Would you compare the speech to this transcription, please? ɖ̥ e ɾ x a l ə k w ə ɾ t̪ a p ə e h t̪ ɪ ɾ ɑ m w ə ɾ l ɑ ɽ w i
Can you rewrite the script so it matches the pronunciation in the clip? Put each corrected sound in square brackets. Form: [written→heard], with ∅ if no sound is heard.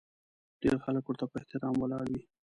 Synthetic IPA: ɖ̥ e ɾ x a l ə k w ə ɾ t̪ a p ə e h t̪ ɪ ɾ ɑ m w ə [ɾ→∅] l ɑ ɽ w i